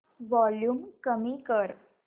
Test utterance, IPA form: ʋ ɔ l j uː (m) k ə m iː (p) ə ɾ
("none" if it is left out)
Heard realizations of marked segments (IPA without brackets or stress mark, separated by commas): m, k